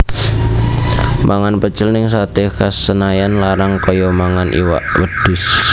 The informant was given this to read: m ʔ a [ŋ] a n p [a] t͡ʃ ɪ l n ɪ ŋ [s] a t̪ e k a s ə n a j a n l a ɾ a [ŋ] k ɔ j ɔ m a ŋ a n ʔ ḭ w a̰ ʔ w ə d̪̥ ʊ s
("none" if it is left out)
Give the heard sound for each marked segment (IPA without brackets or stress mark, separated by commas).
ŋ, ə, s, ŋ